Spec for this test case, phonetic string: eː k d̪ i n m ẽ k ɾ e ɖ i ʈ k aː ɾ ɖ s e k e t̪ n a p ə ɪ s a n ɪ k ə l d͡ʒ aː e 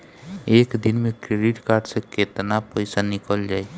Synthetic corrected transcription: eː k d̪ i n m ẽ k ɾ e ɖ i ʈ k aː ɾ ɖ s e k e t̪ n a p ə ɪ s a n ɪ k ə l d͡ʒ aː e